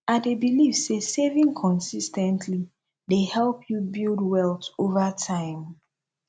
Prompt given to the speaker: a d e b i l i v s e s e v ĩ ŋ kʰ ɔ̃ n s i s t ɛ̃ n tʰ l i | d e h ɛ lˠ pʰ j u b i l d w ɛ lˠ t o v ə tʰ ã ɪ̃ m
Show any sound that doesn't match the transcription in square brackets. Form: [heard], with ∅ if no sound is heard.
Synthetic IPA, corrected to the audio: a d e b i l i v s e s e v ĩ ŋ kʰ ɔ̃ n s i s t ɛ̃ n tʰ l i | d e h ɛ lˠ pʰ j u b i l d w ɛ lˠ t o v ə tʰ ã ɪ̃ m